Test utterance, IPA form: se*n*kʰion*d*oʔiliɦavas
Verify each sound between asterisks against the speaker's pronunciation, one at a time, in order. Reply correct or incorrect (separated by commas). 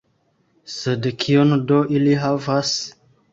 incorrect, correct